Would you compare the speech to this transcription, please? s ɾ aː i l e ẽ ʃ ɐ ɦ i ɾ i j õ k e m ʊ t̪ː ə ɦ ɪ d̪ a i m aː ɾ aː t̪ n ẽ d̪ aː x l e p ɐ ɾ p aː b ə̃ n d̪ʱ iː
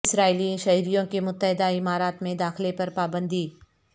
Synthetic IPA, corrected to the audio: s ɾ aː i l i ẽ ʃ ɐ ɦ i ɾ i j õ k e m ʊ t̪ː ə ɦ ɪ d̪ a ɪ m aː ɾ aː t̪ m ẽ d̪ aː x l e p ɐ ɾ p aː b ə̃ n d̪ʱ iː

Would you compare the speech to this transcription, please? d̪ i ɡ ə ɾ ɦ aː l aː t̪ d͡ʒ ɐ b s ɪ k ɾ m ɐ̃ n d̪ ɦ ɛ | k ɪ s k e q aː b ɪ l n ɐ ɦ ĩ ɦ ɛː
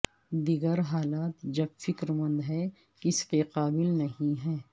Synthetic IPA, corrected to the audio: d̪ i ɡ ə ɾ ɦ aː l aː t̪ d͡ʒ ɐ b f ɪ k ɾ m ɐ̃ n d̪ ɦ ɛ | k ɪ s k e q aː b ɪ l n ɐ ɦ ĩ ɦ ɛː

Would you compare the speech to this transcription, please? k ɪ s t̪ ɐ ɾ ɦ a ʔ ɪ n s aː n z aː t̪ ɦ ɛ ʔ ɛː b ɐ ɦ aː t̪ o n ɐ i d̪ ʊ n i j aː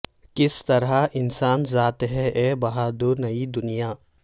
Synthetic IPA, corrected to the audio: k ɪ s t̪ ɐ ɾ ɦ a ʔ ɪ n s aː n z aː t̪ ɦ ɛ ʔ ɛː b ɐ ɦ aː d̪ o n ɐ i d̪ ʊ n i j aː

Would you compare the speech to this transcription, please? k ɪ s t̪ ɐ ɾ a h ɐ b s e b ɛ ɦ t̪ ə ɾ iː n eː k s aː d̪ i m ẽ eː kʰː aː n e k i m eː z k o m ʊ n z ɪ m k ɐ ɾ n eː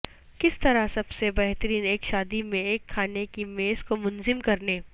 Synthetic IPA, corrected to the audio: k ɪ s t̪ ɐ ɾ a s ɐ b s e b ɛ ɦ t̪ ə ɾ iː n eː k ʃ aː d̪ i m ẽ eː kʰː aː n e k i m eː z k o m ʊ n z ɪ m k ɐ ɾ n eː

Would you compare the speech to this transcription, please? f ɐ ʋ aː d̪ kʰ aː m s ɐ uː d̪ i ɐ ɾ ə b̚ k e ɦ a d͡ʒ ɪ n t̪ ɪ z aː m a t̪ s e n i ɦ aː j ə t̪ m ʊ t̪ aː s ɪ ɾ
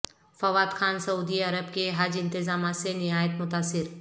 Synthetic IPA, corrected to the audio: f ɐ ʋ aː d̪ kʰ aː n s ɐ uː d̪ i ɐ ɾ ə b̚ k e ɦ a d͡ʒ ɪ n t̪ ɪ z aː m a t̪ s e n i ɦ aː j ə t̪ m ʊ t̪ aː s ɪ ɾ

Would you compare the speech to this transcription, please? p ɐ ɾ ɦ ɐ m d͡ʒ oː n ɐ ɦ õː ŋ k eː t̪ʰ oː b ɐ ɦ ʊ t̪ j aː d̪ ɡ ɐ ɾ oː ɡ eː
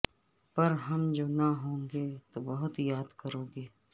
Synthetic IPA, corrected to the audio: p ɐ ɾ ɦ ɐ m d͡ʒ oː n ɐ ɦ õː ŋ ɡ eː t̪ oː b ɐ ɦ ʊ t̪ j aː d̪ k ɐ ɾ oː ɡ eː

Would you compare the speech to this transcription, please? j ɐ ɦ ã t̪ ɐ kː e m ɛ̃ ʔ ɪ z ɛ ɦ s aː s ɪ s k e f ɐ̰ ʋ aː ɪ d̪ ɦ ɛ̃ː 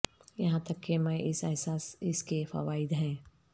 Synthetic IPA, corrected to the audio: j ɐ ɦ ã t̪ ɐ kː e m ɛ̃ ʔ ɪ s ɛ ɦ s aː s ɪ s k e f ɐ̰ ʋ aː ɪ d̪ ɦ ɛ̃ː

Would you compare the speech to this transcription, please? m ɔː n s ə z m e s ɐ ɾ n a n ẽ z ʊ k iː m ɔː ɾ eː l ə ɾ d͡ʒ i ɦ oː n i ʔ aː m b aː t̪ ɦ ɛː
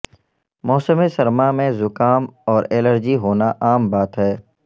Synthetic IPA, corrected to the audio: m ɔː s ə m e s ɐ ɾ m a m ẽ z ʊ k aː m ɔː ɾ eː l ə ɾ d͡ʒ i ɦ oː n a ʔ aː m b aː t̪ ɦ ɛː

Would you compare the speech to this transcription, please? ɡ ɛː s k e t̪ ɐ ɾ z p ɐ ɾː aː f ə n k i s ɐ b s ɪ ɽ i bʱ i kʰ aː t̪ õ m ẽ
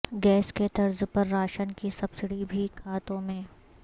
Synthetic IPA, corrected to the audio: ɡ ɛː s k e t̪ ɐ ɾ z p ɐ ɾː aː ʃ ə n k i s ɐ b s ɪ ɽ i bʱ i kʰ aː t̪ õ m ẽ

